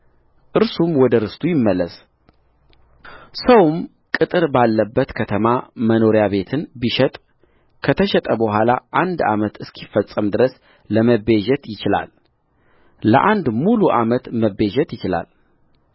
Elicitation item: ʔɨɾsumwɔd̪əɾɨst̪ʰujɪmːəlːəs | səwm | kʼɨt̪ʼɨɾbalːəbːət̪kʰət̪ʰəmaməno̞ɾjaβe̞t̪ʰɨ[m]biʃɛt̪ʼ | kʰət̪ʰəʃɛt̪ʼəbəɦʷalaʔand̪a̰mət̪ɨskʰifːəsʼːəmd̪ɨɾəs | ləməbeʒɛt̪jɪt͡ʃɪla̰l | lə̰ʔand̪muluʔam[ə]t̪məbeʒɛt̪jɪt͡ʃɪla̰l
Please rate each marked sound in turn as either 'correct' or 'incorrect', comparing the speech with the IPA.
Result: incorrect: n, correct

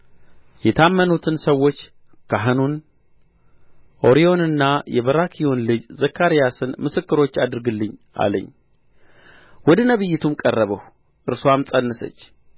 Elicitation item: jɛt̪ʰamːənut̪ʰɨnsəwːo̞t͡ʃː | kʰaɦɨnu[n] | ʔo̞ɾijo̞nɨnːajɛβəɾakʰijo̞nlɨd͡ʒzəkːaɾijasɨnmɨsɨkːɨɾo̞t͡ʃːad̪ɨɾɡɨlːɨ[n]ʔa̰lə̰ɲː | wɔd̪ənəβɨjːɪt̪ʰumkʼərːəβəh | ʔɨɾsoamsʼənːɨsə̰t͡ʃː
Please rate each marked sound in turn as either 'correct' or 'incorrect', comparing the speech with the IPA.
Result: correct, incorrect: ɲ

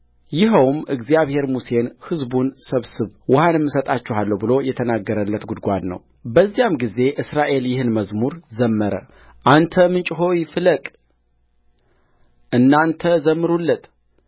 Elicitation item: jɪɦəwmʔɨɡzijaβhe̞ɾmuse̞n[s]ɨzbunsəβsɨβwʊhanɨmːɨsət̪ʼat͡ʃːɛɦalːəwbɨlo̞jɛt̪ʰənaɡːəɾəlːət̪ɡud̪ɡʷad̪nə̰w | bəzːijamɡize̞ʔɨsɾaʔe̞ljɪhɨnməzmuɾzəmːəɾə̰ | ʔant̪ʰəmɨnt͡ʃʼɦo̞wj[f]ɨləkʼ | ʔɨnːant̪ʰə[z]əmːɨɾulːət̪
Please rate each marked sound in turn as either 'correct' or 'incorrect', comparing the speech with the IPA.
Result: incorrect: h, correct, correct

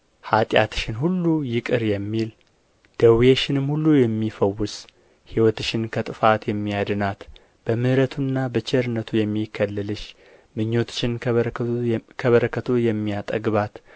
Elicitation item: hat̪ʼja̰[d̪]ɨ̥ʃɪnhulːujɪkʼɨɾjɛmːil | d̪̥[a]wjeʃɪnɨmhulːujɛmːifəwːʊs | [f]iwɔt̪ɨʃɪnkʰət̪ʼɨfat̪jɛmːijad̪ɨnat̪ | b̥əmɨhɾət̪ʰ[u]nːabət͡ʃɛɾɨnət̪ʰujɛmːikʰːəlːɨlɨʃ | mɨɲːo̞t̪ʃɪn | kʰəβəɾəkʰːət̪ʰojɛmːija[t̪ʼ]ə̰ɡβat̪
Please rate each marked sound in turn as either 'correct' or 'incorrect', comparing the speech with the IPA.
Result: incorrect: t̪, incorrect: ə, incorrect: h, correct, correct

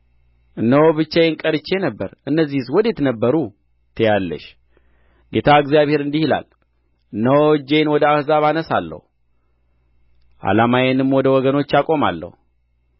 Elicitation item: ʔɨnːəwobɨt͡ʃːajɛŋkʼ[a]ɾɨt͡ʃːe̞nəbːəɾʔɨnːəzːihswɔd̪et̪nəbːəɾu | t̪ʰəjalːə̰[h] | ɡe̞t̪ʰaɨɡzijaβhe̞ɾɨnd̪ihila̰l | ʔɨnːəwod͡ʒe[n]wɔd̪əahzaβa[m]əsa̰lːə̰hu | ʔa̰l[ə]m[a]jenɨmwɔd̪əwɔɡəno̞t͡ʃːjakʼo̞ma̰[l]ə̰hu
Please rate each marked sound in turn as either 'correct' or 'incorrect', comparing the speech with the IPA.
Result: incorrect: ə, incorrect: ʃ, correct, incorrect: n, incorrect: a, correct, incorrect: lː

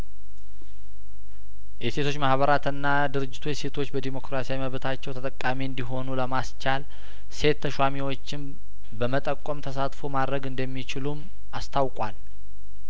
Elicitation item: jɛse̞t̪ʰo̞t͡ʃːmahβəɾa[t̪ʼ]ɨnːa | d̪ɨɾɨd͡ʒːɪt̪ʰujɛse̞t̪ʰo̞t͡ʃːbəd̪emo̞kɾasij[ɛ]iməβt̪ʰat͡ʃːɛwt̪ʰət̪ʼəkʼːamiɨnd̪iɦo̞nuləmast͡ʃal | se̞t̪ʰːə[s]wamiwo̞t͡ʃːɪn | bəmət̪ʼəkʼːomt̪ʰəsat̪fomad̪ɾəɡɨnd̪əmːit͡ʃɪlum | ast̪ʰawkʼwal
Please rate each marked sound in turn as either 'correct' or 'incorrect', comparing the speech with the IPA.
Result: incorrect: t̪, incorrect: a, incorrect: ʃ

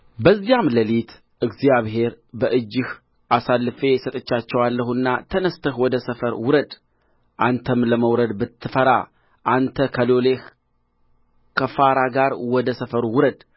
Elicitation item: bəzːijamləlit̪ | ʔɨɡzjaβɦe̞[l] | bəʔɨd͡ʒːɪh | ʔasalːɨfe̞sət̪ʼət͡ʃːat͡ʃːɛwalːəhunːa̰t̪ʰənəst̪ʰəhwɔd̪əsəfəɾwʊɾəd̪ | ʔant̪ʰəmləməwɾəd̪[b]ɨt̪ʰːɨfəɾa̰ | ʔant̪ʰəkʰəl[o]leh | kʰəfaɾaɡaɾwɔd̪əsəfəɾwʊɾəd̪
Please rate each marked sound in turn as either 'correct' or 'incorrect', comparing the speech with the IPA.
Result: incorrect: ɾ, correct, correct

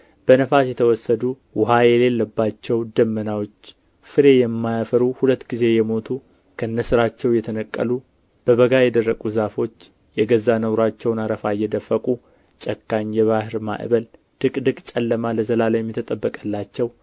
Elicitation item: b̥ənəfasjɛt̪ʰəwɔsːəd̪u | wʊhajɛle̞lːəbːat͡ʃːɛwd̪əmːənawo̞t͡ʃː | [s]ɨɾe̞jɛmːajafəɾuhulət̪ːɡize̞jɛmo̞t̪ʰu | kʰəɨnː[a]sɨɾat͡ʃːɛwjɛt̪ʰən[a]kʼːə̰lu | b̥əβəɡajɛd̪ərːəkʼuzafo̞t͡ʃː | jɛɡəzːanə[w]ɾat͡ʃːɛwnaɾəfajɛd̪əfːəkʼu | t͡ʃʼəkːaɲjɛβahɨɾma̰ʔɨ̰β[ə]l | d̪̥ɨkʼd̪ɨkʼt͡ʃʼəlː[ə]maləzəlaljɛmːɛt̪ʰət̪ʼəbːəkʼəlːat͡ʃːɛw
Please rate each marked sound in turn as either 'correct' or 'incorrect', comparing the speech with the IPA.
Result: incorrect: f, incorrect: ə, incorrect: ə, correct, correct, correct

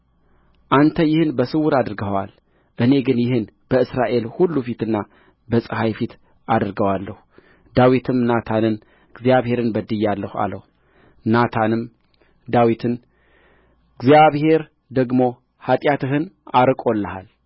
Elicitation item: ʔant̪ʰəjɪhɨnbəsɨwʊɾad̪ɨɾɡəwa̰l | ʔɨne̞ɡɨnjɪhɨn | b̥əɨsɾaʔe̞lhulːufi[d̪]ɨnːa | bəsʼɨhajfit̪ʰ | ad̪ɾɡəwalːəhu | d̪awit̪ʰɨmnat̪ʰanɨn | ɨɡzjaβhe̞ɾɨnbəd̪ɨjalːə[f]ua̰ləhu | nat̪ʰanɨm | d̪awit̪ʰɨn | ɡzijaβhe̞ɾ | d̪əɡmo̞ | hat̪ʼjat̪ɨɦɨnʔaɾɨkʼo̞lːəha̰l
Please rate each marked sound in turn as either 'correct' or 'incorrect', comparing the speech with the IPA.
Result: incorrect: t̪, incorrect: h

